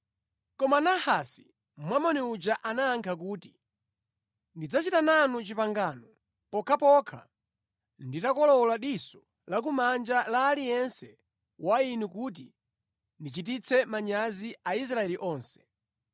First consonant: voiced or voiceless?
voiceless